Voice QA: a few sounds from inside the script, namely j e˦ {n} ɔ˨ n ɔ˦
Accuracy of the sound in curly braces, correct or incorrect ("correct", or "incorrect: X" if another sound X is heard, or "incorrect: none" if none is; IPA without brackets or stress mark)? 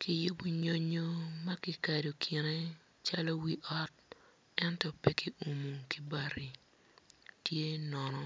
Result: correct